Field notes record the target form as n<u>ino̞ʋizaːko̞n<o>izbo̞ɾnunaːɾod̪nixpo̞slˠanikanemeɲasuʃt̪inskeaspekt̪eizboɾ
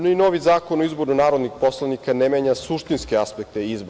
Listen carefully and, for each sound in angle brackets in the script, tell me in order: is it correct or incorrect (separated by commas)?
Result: incorrect, correct